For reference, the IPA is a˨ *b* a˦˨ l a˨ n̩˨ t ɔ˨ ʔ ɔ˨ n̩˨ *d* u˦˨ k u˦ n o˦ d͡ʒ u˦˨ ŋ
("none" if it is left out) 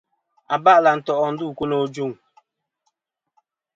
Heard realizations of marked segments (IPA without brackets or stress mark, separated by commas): b, d